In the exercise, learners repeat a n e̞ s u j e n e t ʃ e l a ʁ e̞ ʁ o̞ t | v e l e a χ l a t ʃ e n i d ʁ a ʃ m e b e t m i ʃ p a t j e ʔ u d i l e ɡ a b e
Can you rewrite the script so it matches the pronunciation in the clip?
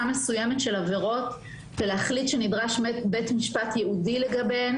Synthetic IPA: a m e̞ s u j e m e t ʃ e l a v e̞ ʁ o̞ t | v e l e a χ l i t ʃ e n i d ʁ a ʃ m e b e t m i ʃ p a t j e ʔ u d i l e ɡ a b e